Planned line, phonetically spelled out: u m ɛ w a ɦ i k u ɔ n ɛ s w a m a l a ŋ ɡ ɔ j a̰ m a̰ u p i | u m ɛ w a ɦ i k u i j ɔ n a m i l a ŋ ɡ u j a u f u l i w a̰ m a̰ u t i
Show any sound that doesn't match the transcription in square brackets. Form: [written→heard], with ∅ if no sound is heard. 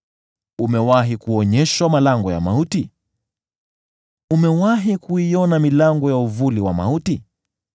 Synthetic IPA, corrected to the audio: u m ɛ w a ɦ i k u ɔ [n→ɲ] ɛ [s→ʃ] w a m a l a ŋ ɡ ɔ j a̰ m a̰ u [p→t] i | u m ɛ w a ɦ i k u i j ɔ n a m i l a ŋ ɡ [u→ɔ] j a u [f→v] u l i w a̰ m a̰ u t i